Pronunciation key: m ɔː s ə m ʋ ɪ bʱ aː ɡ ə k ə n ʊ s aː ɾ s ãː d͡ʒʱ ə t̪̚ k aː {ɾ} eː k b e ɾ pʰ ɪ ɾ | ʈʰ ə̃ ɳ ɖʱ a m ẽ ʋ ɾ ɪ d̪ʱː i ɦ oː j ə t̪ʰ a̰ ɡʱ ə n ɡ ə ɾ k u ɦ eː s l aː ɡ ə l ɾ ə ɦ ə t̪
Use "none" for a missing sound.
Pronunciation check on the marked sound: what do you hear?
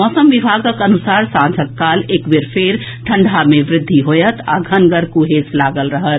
l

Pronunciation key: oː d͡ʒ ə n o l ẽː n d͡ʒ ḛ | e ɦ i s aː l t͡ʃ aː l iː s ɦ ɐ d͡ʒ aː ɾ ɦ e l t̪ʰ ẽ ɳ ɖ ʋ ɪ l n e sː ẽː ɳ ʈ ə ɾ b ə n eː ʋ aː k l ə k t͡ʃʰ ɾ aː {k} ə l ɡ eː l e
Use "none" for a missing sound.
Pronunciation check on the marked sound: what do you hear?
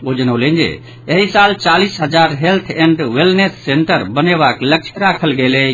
kʰ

